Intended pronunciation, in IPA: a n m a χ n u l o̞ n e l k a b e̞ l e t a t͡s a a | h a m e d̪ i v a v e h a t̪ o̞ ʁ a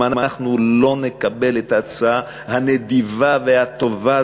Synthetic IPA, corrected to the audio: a n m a χ n u l o̞ n e k a b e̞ l e t a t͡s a a | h a n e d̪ i v a v e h a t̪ o̞ v a